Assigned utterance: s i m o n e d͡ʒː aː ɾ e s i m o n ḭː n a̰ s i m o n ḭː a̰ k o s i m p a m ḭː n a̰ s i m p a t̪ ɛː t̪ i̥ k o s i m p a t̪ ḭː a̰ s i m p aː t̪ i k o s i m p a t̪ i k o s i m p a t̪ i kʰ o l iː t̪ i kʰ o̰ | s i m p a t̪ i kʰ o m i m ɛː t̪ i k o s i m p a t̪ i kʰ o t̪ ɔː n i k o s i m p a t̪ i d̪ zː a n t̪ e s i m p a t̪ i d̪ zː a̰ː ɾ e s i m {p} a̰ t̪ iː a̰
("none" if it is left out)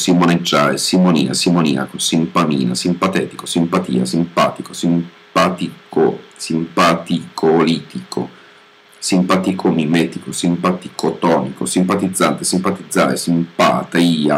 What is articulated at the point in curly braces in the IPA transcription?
p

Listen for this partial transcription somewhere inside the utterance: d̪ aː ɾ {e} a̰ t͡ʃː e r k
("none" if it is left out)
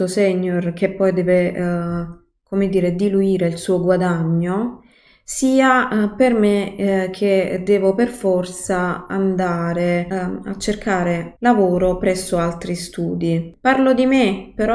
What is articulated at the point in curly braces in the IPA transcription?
e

